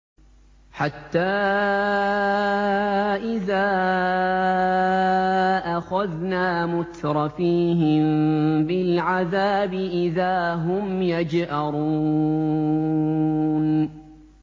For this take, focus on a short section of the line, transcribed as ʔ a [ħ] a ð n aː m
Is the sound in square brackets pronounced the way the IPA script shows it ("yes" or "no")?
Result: no